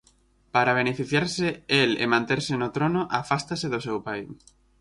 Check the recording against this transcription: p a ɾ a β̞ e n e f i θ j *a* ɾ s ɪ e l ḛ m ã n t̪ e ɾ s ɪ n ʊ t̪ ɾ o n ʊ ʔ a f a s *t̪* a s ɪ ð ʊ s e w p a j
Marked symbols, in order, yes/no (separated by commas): yes, yes